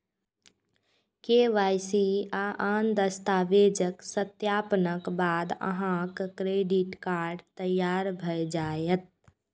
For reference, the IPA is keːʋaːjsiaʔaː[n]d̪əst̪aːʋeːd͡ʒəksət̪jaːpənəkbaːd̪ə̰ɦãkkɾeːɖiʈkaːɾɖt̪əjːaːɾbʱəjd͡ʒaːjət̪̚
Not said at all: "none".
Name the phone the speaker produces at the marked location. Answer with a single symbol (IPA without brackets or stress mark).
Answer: n